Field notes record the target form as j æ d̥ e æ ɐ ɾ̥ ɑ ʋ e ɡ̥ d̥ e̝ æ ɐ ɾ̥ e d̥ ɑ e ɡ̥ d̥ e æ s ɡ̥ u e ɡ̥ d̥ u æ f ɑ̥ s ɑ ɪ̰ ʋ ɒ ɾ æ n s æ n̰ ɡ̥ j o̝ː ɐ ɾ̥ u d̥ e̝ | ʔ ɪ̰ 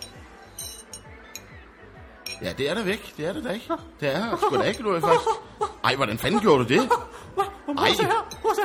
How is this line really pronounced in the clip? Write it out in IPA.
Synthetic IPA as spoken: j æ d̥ e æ ɐ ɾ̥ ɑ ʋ e ɡ̥ d̥ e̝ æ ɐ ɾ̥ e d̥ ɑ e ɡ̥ d̥ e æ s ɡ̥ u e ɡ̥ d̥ u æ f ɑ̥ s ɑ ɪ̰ ʋ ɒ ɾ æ n f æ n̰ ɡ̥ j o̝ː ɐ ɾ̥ u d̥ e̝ | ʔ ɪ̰